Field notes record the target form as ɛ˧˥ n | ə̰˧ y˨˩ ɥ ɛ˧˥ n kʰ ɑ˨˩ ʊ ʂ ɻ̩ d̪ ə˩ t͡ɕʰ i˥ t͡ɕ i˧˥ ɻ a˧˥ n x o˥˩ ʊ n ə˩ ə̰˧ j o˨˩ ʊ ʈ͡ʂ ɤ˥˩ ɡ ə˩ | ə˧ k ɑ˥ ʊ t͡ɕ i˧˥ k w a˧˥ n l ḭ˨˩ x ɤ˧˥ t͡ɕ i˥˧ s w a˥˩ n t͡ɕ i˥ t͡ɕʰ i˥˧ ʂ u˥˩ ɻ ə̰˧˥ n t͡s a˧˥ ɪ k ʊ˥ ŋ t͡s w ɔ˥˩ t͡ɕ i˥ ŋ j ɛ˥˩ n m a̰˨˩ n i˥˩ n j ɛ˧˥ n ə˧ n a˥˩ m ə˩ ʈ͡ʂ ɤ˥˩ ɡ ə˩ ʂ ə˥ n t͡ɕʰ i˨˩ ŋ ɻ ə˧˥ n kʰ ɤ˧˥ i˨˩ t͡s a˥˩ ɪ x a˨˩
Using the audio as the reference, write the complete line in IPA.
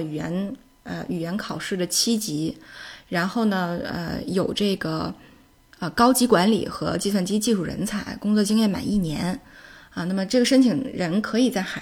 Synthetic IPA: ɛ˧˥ n | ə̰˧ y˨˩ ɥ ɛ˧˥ n kʰ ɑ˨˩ ʊ ʂ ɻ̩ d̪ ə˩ t͡ɕʰ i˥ t͡ɕ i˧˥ ɻ a˧˥ n x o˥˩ ʊ n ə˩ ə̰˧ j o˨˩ ʊ ʈ͡ʂ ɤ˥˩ ɡ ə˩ | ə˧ k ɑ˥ ʊ t͡ɕ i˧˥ k w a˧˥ n l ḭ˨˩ x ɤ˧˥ t͡ɕ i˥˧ s w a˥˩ n t͡ɕ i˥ t͡ɕ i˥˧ ʂ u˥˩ ɻ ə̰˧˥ n t͡sʰ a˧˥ ɪ k ʊ˥ ŋ t͡s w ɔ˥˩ t͡ɕ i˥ ŋ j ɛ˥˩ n m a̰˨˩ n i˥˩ n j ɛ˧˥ n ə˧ n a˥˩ m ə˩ ʈ͡ʂ ɤ˥˩ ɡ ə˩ ʂ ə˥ n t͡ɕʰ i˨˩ ŋ ɻ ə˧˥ n kʰ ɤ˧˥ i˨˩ t͡s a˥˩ ɪ x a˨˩